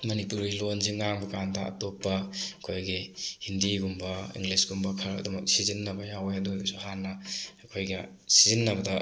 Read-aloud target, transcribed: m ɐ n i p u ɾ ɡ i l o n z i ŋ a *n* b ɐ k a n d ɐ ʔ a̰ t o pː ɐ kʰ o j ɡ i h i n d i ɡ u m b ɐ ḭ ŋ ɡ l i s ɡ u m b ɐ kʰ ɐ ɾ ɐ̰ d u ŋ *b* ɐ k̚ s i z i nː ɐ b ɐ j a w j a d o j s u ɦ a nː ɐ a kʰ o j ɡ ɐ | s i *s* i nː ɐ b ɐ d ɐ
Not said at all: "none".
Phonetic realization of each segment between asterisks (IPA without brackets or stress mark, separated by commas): ŋ, m, z